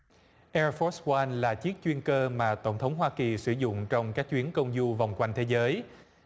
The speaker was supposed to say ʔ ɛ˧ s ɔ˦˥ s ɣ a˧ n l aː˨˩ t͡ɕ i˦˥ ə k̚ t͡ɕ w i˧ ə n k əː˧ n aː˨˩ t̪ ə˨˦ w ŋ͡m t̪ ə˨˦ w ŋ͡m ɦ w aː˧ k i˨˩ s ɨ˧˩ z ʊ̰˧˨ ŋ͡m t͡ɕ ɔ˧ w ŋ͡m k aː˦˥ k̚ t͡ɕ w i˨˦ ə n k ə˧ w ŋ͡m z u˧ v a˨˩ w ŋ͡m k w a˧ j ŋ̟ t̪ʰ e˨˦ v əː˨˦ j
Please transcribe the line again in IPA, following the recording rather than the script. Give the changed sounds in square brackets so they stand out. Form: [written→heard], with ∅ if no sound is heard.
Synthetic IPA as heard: ʔ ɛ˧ [s→f] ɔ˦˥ s [ɣ→w] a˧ n l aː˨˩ t͡ɕ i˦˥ ə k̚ t͡ɕ w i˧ ə n k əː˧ [n→m] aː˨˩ t̪ [ə˨˦→ə˧˩] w ŋ͡m [t̪→t̪ʰ] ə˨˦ w ŋ͡m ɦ w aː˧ k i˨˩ s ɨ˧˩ z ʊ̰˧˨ ŋ͡m t͡ɕ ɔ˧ w ŋ͡m k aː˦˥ k̚ t͡ɕ w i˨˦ ə n k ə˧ w ŋ͡m z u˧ v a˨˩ w ŋ͡m k w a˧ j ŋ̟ t̪ʰ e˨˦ [v→z] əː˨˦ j